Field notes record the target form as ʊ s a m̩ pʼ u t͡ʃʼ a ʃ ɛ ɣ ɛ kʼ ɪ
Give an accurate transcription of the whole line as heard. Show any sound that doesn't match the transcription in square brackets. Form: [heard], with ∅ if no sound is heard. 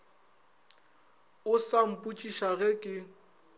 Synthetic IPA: ʊ s a m̩ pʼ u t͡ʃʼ [i] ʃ [a] ɣ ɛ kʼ ɪ